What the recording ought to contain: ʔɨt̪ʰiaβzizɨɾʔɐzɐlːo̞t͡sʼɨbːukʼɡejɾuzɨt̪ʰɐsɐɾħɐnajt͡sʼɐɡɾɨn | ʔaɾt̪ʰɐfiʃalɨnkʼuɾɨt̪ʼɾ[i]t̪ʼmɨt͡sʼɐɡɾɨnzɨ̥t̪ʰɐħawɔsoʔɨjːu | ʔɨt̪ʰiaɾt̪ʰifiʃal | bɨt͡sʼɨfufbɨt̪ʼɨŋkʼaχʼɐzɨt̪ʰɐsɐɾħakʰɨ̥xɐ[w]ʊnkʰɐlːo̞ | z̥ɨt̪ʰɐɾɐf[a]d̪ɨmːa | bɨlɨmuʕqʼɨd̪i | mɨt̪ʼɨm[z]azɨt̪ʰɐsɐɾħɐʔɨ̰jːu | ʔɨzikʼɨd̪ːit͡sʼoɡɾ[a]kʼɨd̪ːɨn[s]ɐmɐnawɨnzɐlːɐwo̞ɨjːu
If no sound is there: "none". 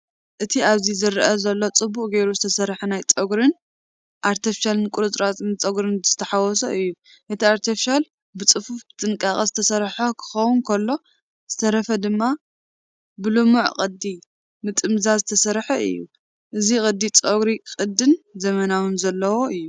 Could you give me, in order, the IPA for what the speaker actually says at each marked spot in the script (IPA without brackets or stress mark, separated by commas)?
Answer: a, w, ɐ, z, i, z